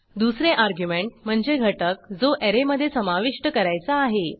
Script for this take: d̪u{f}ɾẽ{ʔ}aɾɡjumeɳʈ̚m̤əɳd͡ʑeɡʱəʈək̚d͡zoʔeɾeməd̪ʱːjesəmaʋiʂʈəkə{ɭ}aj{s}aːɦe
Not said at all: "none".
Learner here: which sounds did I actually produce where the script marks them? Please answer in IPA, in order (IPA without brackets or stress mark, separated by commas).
s, ʔ, ɾ, t͡s